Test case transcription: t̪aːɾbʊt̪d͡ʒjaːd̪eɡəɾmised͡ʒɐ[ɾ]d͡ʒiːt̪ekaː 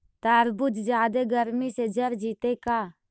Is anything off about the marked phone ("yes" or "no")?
no